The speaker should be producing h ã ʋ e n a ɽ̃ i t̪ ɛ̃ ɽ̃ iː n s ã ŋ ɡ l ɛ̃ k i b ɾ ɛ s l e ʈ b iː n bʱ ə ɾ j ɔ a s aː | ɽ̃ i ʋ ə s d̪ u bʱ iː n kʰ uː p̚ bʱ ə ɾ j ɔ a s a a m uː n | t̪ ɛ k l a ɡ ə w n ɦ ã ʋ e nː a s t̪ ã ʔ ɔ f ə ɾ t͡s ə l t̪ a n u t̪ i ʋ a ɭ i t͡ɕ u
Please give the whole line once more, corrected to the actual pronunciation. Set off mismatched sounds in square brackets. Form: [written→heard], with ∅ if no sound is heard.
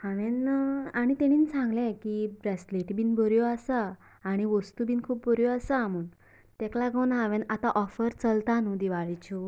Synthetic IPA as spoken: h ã ʋ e n a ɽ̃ i t̪ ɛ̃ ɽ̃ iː n s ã ŋ ɡ l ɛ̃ k i b ɾ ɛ s l e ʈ b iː n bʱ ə ɾ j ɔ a s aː | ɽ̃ i ʋ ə s [d̪→t̪] u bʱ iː n kʰ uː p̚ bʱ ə ɾ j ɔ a s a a m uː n | t̪ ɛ k l a ɡ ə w n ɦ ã ʋ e [nː→n] a [s→∅] t̪ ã ʔ ɔ f ə ɾ t͡s ə l t̪ a n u [t̪→d̪] i ʋ a ɭ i t͡ɕ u